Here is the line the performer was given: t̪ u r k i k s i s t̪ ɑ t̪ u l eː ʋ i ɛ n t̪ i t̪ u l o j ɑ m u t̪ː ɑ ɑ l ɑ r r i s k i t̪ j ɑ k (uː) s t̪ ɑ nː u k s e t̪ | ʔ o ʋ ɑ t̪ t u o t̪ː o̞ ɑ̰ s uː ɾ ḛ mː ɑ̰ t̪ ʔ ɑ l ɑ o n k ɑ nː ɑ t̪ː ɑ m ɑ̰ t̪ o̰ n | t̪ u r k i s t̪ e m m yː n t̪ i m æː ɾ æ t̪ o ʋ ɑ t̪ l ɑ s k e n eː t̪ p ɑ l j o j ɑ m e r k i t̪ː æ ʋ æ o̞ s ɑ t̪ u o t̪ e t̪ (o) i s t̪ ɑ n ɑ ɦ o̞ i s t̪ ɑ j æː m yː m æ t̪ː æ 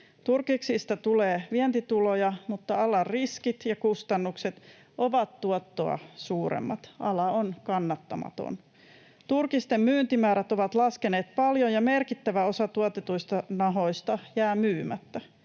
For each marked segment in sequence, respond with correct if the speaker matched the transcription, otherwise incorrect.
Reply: incorrect: u, incorrect: u

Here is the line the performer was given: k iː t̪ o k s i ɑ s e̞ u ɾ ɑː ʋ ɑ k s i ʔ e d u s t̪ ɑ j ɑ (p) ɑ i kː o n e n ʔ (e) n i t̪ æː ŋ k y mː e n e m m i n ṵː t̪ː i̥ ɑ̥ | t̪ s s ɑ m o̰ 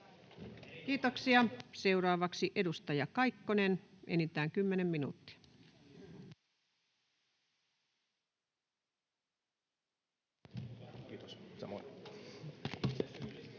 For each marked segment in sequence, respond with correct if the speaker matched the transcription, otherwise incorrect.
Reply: incorrect: k, correct

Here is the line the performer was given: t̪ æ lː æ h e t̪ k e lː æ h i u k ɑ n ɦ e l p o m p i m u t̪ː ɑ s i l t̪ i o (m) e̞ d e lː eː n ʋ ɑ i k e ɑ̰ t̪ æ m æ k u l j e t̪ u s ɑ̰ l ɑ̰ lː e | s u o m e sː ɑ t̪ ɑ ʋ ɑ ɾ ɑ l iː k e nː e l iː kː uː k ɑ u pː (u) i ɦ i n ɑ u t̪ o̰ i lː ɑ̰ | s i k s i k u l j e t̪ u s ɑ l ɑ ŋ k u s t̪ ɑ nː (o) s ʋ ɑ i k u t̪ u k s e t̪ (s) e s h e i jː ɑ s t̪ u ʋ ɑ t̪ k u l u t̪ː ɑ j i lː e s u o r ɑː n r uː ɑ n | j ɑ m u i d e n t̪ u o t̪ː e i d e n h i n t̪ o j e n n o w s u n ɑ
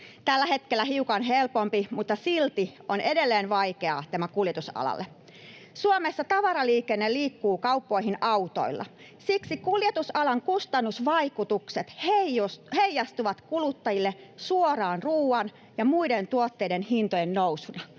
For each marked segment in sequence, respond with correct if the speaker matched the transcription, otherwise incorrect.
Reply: incorrect: n, incorrect: o, incorrect: u, incorrect: h

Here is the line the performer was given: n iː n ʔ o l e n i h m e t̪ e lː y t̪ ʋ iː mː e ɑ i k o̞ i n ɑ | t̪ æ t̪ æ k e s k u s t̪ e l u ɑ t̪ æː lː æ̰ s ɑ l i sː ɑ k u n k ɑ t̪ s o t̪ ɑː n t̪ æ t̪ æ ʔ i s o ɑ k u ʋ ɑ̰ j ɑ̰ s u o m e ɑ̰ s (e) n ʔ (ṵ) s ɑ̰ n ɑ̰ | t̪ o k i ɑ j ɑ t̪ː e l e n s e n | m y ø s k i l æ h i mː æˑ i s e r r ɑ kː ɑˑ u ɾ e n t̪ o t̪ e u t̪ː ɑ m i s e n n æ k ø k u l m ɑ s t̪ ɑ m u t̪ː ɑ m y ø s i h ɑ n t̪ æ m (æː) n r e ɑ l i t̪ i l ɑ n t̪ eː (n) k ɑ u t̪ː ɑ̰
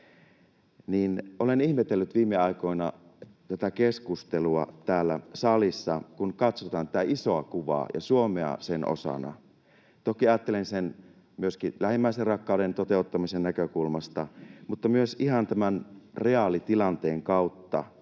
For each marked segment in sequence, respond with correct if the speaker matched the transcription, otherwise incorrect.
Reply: correct, incorrect: o̰, incorrect: æ, incorrect: ŋ

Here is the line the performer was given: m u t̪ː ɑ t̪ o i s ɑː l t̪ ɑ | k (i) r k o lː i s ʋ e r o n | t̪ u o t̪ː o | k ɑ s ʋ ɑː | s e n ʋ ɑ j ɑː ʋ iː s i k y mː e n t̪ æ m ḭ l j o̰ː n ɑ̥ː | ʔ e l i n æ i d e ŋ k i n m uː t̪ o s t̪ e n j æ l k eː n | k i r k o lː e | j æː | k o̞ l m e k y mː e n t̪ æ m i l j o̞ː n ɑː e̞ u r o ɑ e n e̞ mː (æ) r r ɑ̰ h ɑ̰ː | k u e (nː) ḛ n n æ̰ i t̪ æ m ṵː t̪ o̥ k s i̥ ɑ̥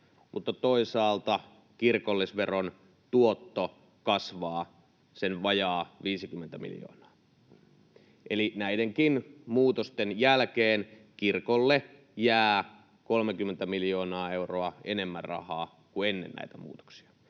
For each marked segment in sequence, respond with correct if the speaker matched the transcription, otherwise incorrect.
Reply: correct, correct, correct

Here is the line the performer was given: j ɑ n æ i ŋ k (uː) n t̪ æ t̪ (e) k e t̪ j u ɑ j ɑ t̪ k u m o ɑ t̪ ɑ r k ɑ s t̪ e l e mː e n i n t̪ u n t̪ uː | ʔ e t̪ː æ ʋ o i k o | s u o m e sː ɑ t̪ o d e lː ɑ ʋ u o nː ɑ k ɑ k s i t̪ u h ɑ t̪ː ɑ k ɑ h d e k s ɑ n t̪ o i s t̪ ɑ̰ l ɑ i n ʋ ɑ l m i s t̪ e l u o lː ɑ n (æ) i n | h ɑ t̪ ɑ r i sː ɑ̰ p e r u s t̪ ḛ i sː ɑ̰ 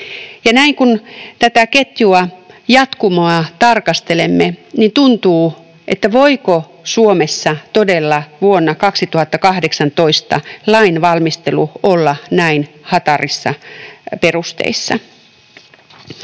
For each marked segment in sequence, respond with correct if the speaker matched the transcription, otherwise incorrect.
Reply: incorrect: u, incorrect: æ, correct

